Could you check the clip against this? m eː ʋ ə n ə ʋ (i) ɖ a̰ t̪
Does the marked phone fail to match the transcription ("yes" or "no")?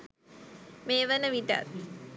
no